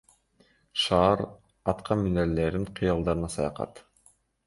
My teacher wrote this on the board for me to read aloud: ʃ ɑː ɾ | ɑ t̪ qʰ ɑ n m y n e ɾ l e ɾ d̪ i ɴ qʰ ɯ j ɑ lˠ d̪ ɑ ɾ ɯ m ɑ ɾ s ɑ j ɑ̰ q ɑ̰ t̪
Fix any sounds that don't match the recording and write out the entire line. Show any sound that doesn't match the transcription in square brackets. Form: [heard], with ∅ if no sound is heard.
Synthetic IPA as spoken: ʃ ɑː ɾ | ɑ t̪ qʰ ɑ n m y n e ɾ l e ɾ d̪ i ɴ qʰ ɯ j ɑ lˠ d̪ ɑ ɾ ɯ [n] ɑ [∅] s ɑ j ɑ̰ q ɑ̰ t̪